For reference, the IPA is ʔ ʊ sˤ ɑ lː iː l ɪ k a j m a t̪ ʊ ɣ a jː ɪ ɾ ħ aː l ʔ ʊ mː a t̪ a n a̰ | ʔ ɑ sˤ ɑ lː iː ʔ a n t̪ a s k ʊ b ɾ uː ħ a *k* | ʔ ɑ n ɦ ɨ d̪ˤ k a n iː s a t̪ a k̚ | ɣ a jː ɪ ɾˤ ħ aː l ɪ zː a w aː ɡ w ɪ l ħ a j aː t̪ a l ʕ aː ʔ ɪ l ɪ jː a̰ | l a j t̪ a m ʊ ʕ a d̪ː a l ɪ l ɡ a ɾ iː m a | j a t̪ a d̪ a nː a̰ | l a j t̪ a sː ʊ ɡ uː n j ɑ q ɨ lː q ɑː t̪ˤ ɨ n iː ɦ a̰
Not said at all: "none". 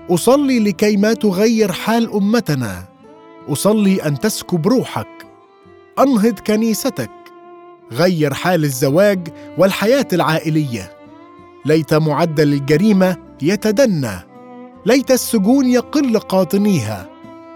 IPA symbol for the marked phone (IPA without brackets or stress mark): k